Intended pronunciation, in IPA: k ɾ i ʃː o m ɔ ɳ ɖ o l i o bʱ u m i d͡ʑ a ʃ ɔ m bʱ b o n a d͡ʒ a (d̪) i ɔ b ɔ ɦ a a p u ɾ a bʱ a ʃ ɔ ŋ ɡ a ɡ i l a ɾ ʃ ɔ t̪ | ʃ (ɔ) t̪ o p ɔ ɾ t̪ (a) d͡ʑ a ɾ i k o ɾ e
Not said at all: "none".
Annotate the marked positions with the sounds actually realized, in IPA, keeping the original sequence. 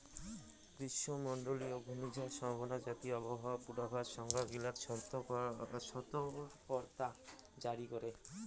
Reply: t̪, ɔ, a

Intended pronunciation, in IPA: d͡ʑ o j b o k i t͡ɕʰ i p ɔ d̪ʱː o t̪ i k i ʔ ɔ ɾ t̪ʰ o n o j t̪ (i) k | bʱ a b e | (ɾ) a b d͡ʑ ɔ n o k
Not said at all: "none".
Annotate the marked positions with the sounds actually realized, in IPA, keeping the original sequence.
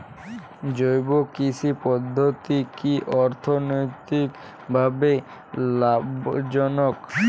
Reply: i, l

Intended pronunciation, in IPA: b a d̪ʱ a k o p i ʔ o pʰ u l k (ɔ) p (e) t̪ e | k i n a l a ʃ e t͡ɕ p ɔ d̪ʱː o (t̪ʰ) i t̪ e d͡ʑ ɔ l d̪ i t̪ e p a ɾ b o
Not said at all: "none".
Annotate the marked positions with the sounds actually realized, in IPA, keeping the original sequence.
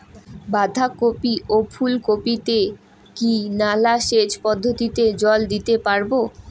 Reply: o, i, t̪

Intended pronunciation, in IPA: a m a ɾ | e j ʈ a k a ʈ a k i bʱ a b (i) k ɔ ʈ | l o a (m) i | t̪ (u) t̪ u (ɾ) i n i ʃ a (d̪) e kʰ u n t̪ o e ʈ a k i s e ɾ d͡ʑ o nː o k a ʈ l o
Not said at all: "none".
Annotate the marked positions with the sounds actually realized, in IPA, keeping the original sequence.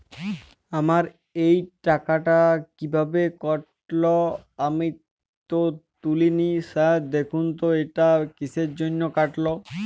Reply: e, m, o, l, d̪

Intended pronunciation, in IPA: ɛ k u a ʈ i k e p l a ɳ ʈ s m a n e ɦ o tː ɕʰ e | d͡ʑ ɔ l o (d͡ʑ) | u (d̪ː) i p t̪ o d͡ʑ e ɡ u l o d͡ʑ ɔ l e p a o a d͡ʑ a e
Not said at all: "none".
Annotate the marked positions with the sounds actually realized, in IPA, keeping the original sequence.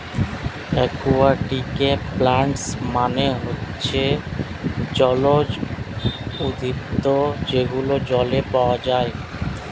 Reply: d͡ʑ, d̪

